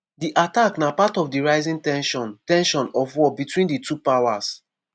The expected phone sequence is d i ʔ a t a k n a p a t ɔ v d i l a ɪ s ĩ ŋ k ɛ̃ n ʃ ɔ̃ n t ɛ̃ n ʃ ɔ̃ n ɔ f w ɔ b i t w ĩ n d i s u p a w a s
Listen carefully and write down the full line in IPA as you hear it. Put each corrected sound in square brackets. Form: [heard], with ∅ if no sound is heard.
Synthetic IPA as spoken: d i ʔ a t a k n a p a t ɔ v d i [ɹ] a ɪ [z] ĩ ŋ [t] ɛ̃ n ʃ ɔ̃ n t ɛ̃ n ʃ ɔ̃ n ɔ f w ɔ b i t w ĩ n d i [t] u p a w a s